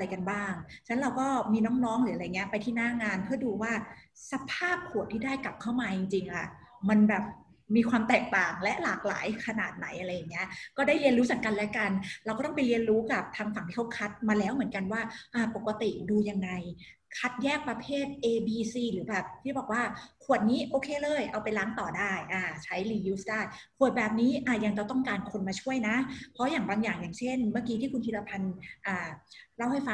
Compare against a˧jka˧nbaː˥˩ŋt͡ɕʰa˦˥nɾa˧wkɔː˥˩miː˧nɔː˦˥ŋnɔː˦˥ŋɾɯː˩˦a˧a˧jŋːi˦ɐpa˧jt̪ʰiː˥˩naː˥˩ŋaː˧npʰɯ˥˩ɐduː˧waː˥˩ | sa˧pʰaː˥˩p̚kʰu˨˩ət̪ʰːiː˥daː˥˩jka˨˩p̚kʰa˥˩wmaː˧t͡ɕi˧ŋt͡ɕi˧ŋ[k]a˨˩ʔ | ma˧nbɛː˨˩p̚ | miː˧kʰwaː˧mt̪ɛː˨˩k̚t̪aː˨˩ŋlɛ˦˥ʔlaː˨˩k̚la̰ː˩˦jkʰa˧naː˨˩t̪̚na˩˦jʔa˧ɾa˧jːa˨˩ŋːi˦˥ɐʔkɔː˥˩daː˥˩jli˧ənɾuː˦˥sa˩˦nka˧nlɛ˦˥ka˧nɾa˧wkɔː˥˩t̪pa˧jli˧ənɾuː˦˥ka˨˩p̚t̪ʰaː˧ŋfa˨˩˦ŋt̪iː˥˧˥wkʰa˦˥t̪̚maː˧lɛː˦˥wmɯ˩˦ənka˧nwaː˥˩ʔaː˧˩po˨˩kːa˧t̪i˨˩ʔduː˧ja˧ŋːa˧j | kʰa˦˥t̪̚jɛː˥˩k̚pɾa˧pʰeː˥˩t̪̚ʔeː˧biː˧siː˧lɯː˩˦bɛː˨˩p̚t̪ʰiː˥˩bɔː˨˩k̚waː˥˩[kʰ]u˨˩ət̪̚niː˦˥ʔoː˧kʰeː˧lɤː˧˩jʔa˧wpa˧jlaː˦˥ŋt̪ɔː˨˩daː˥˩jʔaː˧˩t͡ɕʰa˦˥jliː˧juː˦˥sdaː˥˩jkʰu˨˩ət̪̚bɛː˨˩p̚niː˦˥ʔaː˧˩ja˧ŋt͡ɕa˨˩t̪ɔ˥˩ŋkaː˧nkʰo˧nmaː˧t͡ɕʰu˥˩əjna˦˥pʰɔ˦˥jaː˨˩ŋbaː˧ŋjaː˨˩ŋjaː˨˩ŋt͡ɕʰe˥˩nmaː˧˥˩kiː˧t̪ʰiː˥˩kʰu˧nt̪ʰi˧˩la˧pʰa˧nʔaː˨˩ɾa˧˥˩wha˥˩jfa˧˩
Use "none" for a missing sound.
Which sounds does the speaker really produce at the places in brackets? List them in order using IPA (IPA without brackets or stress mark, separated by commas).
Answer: ʔ, kʰ